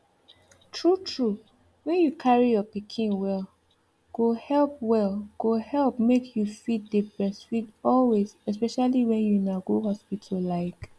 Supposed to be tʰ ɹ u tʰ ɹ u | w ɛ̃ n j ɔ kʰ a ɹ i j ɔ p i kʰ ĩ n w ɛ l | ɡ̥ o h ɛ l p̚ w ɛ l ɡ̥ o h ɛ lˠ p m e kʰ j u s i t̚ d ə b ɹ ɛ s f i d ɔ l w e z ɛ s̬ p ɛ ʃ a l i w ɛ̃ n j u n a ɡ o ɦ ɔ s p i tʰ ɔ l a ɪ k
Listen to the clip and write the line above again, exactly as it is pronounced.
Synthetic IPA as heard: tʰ ɹ u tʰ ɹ u | w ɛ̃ n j u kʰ a ɹ i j ɔ p i kʰ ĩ n w ɛ l | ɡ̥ o h ɛ l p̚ w ɛ l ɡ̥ o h ɛ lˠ p m e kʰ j u f i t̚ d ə b ɹ ɛ s f i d ɔ l w e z ɛ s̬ p ɛ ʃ a l i w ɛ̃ n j u n a ɡ o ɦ ɔ s p i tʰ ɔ l a ɪ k